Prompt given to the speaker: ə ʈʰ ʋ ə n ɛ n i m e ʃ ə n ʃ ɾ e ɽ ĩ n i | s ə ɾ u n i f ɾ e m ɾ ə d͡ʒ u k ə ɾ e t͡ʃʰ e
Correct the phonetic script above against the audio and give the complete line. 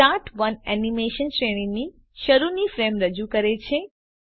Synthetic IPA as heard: a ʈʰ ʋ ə n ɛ n i m e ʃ ə n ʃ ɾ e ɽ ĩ n i | ʃ ə ɾ u n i f ɾ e m ɾ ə d͡ʒ u k ə ɾ e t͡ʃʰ e

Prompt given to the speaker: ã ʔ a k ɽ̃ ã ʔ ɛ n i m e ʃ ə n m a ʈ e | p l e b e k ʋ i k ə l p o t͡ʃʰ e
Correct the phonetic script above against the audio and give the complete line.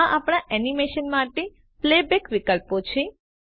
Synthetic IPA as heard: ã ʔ a p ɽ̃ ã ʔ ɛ n i m e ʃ ə n m a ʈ e | p l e b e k ʋ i k ə l p o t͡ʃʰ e

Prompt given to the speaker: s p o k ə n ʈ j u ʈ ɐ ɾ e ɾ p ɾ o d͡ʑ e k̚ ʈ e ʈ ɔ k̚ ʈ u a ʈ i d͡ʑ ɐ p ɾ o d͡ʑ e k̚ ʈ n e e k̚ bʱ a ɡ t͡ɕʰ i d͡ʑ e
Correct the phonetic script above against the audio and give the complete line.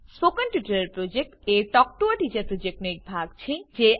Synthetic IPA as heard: s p o k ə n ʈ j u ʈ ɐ ɾ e ɾ p ɾ o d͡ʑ e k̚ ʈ e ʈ ɔ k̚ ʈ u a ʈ i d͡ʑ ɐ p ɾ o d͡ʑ e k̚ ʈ n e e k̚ bʱ a ɡ t͡ɕʰ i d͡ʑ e

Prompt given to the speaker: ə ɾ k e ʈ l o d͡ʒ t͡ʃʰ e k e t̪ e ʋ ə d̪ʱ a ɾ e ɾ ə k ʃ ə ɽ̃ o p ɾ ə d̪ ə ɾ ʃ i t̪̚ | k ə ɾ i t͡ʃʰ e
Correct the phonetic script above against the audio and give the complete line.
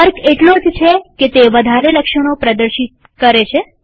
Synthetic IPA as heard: ə ɾ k e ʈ l o d͡ʒ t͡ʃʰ e k e t̪ e ʋ ə d̪ʱ a ɾ e l ə k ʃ ə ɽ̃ o p ɾ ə d̪ ə ɾ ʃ i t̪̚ | k ə ɾ e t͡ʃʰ e

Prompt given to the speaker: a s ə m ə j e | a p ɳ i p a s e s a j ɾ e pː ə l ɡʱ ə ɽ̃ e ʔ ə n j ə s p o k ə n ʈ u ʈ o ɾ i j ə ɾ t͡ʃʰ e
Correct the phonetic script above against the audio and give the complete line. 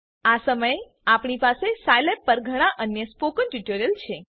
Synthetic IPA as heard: a s ə m ə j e | a p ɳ i p a s e s a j l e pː ə ɾ ɡʱ ə ɽ̃ a ʔ ə n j ə s p o k ə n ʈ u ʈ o ɾ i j ə l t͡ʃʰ e

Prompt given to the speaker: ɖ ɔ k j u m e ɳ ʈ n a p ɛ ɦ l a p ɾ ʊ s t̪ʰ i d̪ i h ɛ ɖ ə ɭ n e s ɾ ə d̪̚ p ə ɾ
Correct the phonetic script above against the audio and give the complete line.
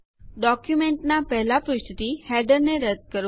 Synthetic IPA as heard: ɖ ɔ k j u m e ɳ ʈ n a p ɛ ɦ l a p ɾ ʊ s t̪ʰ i t̪ i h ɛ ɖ ə ɾ n e ɾ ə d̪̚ k ə ɾ

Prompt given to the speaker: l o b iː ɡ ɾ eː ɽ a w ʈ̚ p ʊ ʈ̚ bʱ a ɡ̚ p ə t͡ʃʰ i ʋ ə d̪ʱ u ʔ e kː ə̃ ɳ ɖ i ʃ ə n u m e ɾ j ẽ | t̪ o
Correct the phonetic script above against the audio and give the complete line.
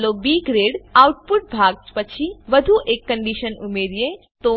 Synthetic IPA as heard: l o b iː ɡ ɾ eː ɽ a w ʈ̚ p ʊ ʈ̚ bʱ a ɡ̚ p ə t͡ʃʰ i ʋ ə d̪ʱ u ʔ e kː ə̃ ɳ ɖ i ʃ ə n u m e ɾ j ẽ | t̪ o

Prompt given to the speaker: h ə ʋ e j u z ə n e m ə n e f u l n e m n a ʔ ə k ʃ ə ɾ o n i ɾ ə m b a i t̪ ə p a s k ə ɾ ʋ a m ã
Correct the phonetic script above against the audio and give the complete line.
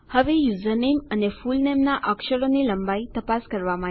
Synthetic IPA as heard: h ə ʋ e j u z ə n e m ə n e f u l n e m n a ʔ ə k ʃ ə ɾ o n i l ə m b a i t̪ ə p a s k ə ɾ ʋ a m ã

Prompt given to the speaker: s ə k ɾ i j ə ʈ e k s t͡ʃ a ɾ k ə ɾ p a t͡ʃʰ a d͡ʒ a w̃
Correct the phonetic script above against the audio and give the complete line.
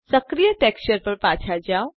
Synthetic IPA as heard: s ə k ɾ i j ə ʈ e k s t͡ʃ ə ɾ p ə ɾ p a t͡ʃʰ a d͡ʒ a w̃

